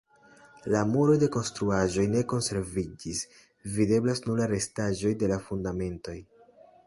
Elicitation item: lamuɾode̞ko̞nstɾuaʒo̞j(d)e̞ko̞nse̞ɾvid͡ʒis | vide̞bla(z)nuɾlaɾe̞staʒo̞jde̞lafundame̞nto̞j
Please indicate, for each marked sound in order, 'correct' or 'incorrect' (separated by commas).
incorrect, incorrect